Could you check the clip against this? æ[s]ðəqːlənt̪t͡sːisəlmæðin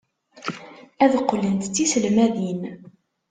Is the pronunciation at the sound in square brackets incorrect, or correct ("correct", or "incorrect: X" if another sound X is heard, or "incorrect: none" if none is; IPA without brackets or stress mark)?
incorrect: none